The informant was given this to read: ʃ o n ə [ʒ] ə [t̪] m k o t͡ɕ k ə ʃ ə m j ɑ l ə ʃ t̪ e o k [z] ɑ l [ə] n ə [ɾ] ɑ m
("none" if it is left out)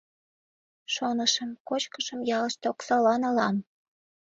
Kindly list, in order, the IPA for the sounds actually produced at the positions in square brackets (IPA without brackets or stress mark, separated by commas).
ʃ, none, s, ɑ, l